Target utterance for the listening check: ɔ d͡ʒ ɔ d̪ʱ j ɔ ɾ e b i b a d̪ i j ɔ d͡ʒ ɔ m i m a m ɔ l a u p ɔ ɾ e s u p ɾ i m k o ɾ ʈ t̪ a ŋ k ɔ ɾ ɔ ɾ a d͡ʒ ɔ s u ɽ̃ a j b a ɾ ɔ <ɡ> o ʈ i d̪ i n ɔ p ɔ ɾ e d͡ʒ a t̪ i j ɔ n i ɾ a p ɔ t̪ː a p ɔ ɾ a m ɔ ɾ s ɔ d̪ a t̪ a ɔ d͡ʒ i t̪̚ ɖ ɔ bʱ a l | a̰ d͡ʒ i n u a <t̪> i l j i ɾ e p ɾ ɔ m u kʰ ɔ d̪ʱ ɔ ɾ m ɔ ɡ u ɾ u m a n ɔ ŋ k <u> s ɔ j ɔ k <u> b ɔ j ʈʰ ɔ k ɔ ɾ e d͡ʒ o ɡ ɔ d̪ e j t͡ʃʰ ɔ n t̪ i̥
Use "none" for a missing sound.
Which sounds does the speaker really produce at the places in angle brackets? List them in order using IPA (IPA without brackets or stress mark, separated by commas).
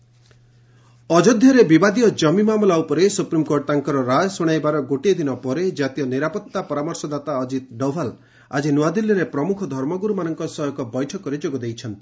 ɡ, d̪, ɔ, ɔ